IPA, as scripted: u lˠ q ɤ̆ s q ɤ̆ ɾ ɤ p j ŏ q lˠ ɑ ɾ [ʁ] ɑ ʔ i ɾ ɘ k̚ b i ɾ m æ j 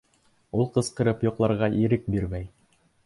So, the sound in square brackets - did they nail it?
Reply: yes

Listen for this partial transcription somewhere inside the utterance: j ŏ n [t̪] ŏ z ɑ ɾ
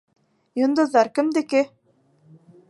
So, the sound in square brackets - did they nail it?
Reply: no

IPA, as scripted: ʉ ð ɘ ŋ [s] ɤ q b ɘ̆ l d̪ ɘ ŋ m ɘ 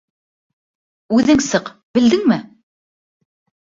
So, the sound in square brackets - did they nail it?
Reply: yes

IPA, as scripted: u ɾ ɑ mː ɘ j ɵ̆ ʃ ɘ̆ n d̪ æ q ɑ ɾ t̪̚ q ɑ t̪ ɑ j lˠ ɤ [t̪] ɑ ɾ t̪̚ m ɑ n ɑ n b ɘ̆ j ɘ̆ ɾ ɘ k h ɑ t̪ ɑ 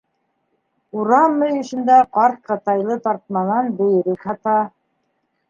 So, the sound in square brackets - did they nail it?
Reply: yes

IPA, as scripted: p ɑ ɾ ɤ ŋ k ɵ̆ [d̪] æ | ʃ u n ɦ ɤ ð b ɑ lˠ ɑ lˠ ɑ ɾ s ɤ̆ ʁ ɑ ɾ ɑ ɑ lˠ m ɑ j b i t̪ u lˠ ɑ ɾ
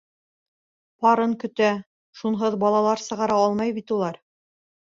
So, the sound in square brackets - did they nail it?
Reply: no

